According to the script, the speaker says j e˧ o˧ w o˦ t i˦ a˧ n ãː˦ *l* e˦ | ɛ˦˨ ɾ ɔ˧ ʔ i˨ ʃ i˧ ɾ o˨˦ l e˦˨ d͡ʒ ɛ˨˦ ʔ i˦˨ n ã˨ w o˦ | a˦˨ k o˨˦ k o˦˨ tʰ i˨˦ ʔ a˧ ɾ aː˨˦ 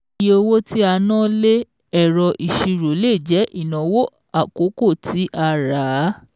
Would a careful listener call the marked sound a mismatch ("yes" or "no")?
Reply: no